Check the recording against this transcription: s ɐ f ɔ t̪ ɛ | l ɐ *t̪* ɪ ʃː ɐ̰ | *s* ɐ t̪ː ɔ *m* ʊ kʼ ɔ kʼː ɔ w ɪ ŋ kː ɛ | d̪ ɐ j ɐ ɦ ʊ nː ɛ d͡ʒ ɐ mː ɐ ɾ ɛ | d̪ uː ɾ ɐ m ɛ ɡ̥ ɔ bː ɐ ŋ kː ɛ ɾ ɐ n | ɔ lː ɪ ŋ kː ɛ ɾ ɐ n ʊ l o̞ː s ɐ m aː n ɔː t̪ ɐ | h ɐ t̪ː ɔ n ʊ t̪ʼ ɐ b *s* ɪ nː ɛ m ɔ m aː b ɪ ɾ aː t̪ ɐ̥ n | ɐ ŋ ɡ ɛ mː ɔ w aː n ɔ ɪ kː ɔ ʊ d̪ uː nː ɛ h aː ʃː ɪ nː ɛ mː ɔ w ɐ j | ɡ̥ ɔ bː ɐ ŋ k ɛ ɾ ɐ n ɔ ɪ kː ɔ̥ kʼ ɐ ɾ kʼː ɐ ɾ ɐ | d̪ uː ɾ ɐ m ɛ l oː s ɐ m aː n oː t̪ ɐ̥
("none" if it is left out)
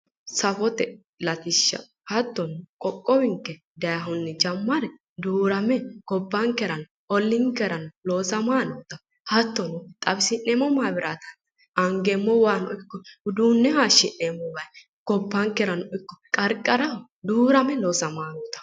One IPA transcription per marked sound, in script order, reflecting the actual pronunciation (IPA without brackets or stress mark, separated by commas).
t̪, h, n, s